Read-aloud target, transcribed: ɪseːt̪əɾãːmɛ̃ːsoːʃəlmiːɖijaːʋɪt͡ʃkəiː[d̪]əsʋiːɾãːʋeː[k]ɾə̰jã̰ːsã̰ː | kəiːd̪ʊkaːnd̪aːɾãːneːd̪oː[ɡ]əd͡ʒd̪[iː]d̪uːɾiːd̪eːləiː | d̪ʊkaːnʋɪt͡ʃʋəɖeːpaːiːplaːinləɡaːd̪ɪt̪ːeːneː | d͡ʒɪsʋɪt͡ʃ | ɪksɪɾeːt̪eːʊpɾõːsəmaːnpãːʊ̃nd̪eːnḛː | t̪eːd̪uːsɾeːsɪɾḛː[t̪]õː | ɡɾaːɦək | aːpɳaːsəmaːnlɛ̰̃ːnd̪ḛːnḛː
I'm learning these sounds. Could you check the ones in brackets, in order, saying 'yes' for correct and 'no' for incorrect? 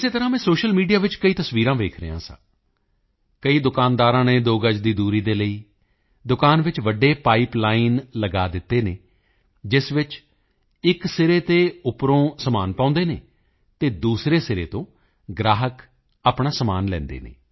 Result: no, no, yes, yes, yes

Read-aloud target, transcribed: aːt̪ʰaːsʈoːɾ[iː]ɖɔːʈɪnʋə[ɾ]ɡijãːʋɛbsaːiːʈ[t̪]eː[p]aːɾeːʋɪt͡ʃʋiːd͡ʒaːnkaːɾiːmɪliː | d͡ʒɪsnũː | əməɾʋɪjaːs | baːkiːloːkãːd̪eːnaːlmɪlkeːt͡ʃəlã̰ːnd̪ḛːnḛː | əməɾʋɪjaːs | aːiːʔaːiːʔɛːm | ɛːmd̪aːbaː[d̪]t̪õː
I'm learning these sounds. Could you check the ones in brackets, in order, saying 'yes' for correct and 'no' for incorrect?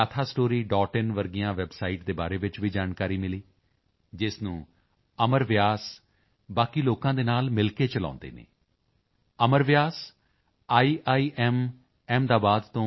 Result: yes, yes, no, no, yes

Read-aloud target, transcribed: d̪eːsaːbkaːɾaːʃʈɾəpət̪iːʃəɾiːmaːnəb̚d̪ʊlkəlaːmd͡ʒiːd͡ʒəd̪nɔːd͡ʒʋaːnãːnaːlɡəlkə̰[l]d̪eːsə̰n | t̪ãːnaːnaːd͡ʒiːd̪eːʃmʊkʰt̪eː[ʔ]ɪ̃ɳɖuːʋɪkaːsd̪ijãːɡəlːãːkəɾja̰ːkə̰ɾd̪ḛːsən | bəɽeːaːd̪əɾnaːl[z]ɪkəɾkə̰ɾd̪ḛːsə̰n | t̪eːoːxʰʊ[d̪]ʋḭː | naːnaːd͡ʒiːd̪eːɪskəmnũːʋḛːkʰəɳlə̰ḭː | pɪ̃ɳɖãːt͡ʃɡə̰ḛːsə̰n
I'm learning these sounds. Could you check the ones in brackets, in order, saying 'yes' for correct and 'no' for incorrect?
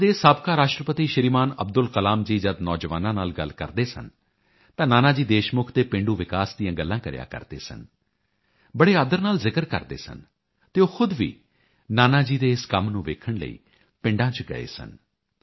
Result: no, no, yes, yes

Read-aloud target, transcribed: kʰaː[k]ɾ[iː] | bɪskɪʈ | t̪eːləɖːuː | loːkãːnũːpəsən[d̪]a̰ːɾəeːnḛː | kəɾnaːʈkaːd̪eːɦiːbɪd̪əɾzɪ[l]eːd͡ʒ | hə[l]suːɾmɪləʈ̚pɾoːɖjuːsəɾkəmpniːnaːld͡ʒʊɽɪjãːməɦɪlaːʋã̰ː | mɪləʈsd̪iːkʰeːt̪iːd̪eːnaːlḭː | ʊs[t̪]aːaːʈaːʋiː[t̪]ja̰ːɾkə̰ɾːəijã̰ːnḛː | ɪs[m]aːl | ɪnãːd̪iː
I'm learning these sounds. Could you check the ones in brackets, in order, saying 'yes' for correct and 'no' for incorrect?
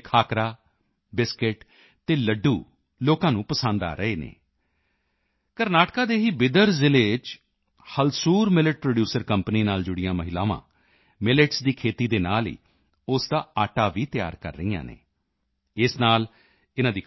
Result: yes, no, yes, yes, yes, no, yes, no

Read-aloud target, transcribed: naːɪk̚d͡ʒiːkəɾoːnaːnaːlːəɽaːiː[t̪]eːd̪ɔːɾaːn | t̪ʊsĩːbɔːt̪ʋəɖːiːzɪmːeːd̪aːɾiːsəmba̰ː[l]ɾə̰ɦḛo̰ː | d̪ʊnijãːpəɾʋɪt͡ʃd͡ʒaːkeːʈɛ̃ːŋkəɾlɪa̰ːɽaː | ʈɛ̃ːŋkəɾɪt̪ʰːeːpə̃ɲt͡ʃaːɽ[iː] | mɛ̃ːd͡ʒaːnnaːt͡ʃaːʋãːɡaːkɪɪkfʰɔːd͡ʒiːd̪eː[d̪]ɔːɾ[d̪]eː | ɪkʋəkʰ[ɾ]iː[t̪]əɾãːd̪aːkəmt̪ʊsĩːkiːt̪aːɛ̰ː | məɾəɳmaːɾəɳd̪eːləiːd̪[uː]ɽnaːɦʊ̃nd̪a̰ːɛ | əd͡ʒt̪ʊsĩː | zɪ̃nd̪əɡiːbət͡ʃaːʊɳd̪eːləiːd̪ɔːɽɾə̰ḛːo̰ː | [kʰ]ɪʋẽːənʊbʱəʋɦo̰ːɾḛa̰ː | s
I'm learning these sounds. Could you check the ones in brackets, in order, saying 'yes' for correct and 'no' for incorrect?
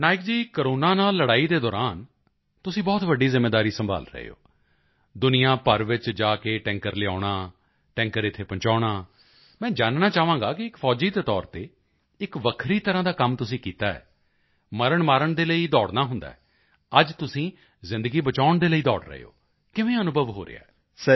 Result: no, yes, no, no, no, yes, yes, no, no

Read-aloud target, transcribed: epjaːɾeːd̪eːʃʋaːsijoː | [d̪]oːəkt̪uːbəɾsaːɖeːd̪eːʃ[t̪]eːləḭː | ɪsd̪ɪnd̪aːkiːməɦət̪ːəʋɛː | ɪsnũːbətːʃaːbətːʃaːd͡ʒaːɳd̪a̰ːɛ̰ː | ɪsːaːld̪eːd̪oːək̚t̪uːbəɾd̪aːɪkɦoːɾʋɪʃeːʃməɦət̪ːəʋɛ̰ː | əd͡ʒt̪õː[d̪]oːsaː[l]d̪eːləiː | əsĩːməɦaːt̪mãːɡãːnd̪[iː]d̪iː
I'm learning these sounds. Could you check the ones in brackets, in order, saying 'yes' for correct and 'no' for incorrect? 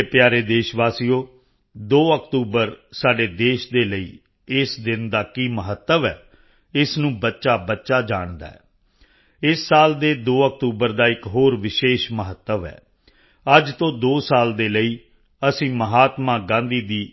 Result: yes, no, yes, yes, yes

